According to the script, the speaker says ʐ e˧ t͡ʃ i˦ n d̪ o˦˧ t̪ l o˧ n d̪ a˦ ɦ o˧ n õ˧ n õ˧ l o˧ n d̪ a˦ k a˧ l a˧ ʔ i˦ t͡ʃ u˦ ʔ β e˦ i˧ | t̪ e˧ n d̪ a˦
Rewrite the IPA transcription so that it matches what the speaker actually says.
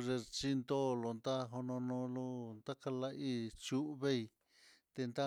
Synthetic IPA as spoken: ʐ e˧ t͡ʃ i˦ n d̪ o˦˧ l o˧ n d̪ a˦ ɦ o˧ n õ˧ n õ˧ l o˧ n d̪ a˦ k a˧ l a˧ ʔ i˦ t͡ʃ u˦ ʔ β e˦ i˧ | t̪ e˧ n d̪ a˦